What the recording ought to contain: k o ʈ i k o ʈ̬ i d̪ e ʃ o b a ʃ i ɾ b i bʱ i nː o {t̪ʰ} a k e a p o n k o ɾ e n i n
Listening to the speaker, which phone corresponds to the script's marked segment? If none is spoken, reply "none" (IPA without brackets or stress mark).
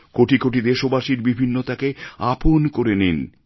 t̪